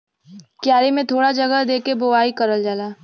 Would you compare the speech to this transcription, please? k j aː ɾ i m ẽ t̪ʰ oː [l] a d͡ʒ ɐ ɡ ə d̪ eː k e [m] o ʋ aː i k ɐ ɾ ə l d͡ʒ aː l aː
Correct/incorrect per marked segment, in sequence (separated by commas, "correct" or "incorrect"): incorrect, incorrect